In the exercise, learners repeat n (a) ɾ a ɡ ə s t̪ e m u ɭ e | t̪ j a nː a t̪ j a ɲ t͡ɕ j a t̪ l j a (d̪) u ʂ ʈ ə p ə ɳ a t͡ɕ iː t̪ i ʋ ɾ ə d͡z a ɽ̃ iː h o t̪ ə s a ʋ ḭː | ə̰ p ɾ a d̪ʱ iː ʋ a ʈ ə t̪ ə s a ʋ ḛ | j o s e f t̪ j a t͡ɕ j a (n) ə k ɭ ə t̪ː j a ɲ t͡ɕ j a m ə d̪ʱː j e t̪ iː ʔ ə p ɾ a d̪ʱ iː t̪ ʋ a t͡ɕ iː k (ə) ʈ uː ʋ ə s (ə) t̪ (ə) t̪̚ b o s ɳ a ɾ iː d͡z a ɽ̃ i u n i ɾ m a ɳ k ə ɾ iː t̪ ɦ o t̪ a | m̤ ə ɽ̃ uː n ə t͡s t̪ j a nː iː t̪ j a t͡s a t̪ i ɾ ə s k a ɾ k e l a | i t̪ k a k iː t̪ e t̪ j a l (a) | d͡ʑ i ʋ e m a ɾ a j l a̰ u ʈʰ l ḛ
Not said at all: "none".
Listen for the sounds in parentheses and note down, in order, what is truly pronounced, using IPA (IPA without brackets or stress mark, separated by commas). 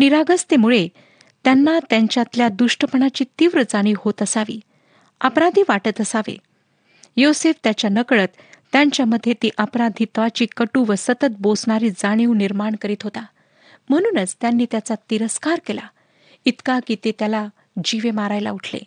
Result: i, d̪, n, ə, ə, ə, a